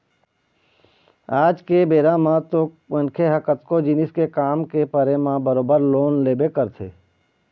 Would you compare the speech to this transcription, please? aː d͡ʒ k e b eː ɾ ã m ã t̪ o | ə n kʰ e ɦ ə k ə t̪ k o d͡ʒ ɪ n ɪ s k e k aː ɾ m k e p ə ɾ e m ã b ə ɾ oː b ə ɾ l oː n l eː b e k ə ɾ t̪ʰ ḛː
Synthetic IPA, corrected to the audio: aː d͡ʒ k e b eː ɾ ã m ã t̪ o | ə n kʰ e ɦ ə k ə t̪ k o d͡ʒ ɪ n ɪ s k e k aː m k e p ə ɾ e m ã b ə ɾ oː b ə ɾ l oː n l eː b e k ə ɾ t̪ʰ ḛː